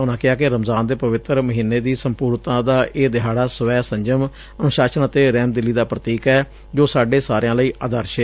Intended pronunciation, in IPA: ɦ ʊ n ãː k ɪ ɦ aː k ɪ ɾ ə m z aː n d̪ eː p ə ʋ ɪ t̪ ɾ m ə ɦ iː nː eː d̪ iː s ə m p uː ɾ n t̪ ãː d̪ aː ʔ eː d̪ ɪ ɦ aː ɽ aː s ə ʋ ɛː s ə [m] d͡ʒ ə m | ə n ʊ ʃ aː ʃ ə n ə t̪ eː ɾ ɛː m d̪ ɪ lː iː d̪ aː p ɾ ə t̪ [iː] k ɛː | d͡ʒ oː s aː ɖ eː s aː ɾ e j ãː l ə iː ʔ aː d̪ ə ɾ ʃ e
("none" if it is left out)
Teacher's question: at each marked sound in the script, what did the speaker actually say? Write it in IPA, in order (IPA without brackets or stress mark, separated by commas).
ɲ, iː